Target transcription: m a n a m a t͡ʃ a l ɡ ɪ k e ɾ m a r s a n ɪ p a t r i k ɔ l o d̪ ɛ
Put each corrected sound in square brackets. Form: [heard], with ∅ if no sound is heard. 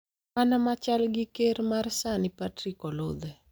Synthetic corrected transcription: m a n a m a t͡ʃ a l ɡ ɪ k e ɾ m a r s a n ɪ p a t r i k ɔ l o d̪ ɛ